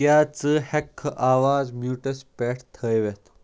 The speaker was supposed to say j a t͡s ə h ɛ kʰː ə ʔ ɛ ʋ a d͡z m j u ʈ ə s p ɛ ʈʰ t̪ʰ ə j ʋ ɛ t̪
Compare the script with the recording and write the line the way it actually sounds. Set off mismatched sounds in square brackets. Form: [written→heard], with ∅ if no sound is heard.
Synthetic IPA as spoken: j a t͡s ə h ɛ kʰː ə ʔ [ɛ→a] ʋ a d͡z m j u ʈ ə s p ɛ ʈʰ t̪ʰ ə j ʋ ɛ t̪

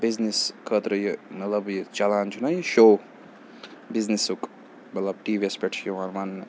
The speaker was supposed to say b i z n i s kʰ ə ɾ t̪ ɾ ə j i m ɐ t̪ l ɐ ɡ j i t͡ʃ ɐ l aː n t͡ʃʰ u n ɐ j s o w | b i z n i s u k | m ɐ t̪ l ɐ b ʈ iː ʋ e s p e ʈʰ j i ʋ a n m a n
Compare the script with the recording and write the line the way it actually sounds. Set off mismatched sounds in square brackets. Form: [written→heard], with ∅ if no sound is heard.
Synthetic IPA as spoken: b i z n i s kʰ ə [ɾ→∅] t̪ ɾ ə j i m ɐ t̪ l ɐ [ɡ→b] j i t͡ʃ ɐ l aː n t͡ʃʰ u n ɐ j [s→ʃ] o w | b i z n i s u k | m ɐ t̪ l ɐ b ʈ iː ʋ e s p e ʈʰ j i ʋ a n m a n

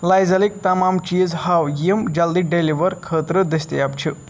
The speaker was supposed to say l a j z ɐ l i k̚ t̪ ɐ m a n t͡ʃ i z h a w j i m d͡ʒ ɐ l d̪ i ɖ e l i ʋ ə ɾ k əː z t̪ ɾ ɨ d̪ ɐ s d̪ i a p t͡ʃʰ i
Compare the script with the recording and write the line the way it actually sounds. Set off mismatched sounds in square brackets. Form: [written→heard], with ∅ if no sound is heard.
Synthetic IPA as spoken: l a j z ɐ l i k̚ t̪ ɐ m a [n→m] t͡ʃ i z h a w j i m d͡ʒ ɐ l d̪ i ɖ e l i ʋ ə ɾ [k→kʰ] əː [z→∅] t̪ ɾ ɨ d̪ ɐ s [d̪→t̪] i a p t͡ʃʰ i

